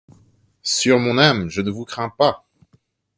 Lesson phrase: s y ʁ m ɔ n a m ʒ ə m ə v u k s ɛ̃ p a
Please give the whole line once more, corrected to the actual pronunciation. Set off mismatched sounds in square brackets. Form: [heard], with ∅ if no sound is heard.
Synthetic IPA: s y ʁ m [ɔ̃] n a m ʒ ə [n] ə v u k [χ] ɛ̃ p a